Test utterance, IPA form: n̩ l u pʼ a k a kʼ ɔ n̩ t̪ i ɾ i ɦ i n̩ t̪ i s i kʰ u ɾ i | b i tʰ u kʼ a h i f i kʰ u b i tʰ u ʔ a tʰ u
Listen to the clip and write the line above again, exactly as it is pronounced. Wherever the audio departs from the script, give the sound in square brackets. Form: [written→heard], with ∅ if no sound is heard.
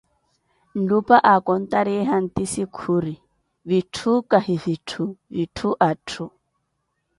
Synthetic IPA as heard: n̩ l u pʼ a [k→ʔ] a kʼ ɔ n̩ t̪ [i→a] ɾ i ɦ [i→a] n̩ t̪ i s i kʰ u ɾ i | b i tʰ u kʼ a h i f i [kʰ→tʰ] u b i tʰ u ʔ a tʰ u